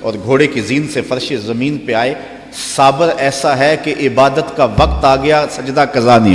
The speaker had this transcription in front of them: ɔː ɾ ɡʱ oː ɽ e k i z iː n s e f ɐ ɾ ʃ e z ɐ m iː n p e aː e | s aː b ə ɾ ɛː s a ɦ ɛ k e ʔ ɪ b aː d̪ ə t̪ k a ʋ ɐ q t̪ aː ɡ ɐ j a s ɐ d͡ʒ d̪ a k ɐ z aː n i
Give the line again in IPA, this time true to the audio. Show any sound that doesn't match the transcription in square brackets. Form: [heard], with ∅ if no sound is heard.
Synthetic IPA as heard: ɔː ɾ ɡʱ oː ɽ e k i z iː n s e f ɐ ɾ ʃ e z ɐ m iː n p e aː e | s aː b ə ɾ ɛː s a ɦ ɛ k e ʔ ɪ b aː d̪ ə t̪ k a ʋ ɐ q t̪ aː ɡ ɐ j a s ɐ d͡ʒ d̪ a k ɐ z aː n i